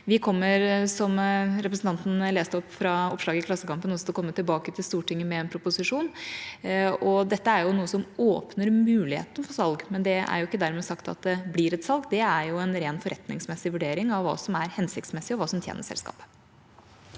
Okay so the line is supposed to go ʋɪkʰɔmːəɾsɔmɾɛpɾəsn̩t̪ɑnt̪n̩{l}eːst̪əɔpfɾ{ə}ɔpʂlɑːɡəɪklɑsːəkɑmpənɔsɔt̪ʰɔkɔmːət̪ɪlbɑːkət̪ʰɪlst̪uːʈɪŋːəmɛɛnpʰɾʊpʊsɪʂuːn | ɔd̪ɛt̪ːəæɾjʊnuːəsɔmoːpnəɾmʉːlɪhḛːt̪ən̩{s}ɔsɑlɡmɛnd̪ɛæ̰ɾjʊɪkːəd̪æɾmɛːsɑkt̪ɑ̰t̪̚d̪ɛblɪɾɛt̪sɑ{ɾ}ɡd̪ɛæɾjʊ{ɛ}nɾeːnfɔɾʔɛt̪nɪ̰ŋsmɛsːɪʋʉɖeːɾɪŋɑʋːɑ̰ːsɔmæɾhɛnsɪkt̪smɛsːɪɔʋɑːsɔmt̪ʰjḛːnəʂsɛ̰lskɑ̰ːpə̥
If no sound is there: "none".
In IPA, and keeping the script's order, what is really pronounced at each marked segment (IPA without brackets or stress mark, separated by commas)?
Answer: l, ɑ, f, l, ɛ